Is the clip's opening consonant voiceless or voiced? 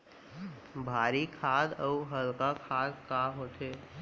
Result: voiced